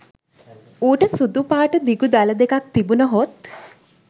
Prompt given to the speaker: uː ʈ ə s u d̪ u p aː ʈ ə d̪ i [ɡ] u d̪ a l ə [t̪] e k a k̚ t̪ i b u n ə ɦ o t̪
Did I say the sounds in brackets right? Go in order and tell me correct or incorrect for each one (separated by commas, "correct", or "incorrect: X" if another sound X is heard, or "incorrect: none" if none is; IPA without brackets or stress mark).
correct, incorrect: d̪